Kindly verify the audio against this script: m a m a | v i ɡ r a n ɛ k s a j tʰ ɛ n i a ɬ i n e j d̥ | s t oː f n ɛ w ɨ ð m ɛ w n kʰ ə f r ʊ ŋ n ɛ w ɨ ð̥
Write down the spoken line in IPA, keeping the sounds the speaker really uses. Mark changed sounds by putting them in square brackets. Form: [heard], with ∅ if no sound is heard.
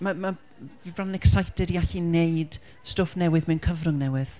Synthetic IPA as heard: m a m a | v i [b] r a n ɛ k s a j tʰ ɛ [d] i a ɬ i n e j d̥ | s t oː f n ɛ w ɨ ð m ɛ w n kʰ ə [v] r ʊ ŋ n ɛ w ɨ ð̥